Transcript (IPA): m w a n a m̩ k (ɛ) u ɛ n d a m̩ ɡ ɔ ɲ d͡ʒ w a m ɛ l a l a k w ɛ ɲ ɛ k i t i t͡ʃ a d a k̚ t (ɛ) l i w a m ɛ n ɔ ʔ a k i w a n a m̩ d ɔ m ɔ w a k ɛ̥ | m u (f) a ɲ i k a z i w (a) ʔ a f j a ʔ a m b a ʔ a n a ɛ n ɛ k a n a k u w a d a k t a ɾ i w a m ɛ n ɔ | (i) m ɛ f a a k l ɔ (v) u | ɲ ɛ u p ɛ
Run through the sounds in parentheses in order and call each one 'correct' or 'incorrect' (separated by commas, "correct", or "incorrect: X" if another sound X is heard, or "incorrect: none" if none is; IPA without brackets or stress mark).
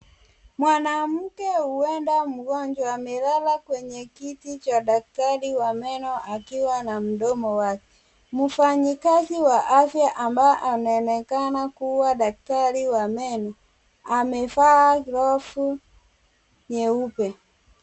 correct, incorrect: a, correct, correct, incorrect: a, incorrect: f